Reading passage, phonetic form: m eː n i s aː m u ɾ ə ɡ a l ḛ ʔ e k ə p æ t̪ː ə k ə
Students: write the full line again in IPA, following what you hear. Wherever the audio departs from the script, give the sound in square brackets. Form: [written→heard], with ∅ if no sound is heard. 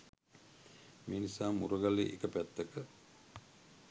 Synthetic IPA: m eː n i s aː m u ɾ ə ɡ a l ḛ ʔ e k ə p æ t̪ː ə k ə